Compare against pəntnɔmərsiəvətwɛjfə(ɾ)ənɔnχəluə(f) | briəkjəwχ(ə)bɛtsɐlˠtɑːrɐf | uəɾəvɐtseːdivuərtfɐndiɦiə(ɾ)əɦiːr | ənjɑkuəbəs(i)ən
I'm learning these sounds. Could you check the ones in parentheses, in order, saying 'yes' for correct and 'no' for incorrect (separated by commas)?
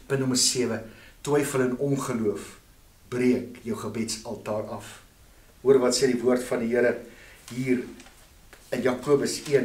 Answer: no, yes, yes, yes, yes